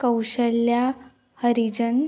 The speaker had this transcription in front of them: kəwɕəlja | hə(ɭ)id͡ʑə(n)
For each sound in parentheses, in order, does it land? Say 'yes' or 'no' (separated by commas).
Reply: no, yes